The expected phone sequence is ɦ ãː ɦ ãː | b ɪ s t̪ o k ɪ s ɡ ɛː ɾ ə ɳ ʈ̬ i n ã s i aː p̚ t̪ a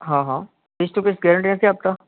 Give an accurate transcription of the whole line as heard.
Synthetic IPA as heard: ɦ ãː ɦ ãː | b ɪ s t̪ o k ɪ s ɡ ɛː ɾ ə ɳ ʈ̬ i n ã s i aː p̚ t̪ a